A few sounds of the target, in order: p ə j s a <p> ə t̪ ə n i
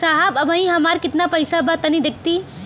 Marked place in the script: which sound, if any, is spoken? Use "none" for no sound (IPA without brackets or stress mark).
b